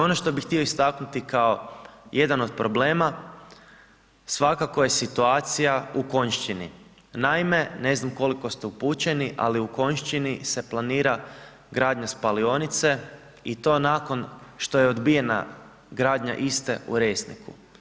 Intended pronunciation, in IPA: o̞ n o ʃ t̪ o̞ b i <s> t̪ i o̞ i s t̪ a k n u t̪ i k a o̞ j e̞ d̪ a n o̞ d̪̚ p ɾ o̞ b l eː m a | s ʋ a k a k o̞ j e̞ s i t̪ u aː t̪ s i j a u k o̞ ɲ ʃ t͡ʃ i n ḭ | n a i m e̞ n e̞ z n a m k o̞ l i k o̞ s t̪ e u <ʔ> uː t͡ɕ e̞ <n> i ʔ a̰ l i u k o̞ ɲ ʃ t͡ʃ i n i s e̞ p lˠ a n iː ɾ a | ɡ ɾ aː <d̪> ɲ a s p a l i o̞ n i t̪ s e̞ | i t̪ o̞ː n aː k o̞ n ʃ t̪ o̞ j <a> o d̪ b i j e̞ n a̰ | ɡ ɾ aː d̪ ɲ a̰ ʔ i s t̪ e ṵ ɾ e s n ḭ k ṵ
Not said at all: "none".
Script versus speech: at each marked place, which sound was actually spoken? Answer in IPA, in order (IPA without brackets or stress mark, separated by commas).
x, p, n, d̪, e